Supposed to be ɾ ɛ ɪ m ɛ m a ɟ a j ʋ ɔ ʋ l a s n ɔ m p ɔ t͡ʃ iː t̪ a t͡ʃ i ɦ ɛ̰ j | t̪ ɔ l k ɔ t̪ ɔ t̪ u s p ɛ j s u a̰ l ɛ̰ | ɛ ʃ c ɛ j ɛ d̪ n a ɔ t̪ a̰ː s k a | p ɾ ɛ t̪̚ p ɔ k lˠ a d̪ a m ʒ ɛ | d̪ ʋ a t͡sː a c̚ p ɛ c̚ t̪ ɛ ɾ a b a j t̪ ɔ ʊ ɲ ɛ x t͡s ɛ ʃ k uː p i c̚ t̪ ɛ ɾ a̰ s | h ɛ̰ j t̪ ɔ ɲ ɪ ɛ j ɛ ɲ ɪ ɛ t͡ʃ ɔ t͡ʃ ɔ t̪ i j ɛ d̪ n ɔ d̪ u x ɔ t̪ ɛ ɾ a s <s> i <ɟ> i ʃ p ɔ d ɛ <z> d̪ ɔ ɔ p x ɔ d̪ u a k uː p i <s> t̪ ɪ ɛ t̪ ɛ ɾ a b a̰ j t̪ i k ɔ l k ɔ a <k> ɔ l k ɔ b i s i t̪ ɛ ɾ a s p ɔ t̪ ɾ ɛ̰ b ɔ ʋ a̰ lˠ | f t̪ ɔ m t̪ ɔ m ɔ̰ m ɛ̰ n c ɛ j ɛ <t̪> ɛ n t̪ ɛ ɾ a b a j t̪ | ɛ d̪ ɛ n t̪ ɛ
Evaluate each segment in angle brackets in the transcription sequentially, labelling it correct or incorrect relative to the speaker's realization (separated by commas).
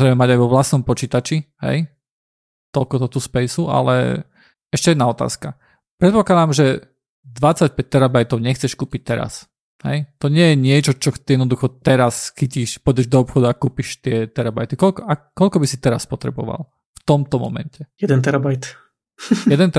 incorrect, incorrect, incorrect, incorrect, correct, incorrect